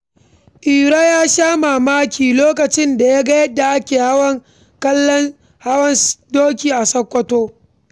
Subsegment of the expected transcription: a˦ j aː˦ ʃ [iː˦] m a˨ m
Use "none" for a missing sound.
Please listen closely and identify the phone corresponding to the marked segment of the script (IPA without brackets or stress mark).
aː˦